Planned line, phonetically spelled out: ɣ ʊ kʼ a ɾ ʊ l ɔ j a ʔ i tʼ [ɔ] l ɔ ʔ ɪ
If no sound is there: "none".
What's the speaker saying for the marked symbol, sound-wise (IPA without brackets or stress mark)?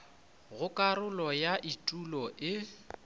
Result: u